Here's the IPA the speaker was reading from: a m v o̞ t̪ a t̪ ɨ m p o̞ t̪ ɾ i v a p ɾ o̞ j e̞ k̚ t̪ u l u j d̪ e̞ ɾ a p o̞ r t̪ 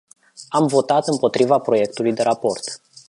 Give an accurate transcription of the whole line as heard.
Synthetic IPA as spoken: a m v o̞ t̪ a t̪ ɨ m p o̞ t̪ ɾ i v a p ɾ o̞ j e̞ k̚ t̪ u l u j d̪ e̞ ɾ a p o̞ r t̪